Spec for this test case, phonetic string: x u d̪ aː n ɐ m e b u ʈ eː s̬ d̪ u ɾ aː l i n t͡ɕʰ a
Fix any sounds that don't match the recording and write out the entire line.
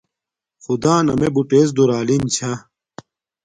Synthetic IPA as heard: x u d̪ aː n ɐ m e b u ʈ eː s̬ d̪ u ɾ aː l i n t͡ɕʰ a